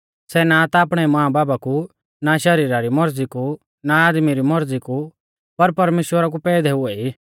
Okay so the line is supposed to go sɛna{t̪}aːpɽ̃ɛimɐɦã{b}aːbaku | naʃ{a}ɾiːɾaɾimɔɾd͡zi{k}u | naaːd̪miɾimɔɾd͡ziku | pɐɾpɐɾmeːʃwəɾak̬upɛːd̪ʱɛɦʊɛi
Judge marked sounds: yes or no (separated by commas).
yes, yes, no, yes